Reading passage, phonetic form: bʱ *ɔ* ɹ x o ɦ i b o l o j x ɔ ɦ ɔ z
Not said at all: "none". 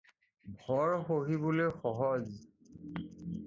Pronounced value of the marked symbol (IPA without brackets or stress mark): ɔ